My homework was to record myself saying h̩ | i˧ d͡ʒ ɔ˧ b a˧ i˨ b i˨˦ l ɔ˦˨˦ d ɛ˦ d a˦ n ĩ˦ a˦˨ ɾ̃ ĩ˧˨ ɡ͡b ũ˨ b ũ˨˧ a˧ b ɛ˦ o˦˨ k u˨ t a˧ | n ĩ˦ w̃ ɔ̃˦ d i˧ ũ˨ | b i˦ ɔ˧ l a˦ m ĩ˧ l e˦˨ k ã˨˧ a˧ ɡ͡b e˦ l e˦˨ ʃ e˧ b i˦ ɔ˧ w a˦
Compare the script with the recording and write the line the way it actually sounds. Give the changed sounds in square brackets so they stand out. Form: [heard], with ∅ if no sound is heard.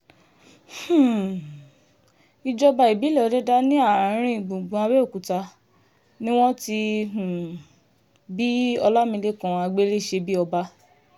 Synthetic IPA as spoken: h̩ | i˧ d͡ʒ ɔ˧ b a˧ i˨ b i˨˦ l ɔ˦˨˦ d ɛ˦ d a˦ n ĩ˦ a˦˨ ɾ̃ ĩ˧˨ ɡ͡b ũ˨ [ɡ͡b] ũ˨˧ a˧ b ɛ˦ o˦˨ k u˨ t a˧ | n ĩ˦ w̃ ɔ̃˦ [t] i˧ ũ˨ | b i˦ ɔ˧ l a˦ m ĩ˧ l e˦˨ k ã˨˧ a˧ ɡ͡b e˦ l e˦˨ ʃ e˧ b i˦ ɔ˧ [b] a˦